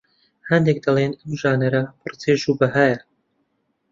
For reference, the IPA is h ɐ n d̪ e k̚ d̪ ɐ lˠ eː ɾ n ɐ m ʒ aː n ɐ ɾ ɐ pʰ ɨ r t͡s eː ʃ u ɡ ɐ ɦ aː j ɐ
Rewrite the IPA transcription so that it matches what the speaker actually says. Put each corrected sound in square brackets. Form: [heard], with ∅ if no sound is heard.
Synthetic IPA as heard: h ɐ n d̪ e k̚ d̪ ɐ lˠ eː [∅] n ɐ m ʒ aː n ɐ ɾ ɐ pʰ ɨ r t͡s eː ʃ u [b] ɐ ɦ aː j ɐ